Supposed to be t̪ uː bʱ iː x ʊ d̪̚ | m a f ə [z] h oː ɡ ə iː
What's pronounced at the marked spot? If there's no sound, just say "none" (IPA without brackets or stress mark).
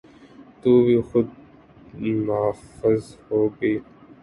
z